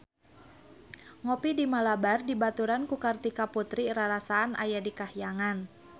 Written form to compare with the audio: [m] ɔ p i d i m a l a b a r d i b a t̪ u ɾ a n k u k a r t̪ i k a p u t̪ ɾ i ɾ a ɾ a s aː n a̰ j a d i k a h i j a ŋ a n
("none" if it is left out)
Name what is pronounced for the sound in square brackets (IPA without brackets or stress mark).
ŋ